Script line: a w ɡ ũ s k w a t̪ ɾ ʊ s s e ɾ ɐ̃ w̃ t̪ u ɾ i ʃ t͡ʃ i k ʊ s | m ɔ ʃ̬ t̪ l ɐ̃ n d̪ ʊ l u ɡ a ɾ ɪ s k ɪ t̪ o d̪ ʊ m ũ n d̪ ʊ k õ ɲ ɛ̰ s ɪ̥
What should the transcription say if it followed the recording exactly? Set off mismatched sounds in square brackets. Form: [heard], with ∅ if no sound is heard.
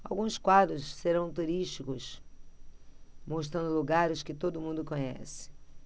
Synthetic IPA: a w ɡ ũ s k w a [d̪] ɾ ʊ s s e ɾ ɐ̃ w̃ t̪ u ɾ i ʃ t͡ʃ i k ʊ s | m [o] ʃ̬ t̪ [ɾ] ɐ̃ n d̪ ʊ l u ɡ a ɾ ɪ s k ɪ t̪ o d̪ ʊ m ũ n d̪ ʊ k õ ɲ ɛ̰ s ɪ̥